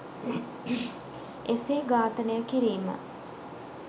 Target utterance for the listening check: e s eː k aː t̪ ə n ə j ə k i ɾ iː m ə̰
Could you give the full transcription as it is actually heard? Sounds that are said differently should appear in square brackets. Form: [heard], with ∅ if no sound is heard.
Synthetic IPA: e s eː [ɡ] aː t̪ ə n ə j ə k i ɾ iː m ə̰